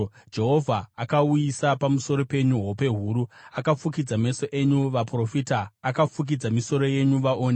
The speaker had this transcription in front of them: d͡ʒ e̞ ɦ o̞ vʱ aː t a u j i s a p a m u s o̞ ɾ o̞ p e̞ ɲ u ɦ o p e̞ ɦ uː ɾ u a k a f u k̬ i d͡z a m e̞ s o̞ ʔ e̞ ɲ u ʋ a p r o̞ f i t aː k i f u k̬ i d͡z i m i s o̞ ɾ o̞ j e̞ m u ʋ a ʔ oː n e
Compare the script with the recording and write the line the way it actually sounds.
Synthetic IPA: d͡ʒ e̞ ɦ o̞ vʱ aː k a u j i s a p a m u s o̞ ɾ o̞ p e̞ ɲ u ɦ o p e̞ ɦ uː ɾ u a k a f u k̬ i d͡z a m e̞ s o̞ ʔ e̞ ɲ u ʋ a p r o̞ f i t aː k a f u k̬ i d͡z a m i s o̞ ɾ o̞ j e̞ ɲ u ʋ a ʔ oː n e